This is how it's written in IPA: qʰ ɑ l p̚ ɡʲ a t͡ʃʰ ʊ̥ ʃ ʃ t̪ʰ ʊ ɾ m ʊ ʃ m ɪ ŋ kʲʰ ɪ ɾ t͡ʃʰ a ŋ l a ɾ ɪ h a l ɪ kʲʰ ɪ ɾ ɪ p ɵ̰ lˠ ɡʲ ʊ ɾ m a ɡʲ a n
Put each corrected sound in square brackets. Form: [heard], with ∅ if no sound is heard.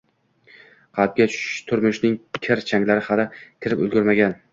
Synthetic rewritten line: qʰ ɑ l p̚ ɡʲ a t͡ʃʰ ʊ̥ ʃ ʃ t̪ʰ ʊ ɾ m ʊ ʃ [n] ɪ ŋ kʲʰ ɪ ɾ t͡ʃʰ a ŋ l a ɾ ɪ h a l ɪ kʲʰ ɪ ɾ ɪ p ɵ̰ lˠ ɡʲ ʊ ɾ m a ɡʲ a n